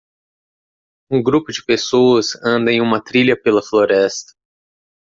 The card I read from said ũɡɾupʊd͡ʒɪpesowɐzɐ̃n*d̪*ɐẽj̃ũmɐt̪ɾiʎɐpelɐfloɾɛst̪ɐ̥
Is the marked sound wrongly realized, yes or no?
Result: no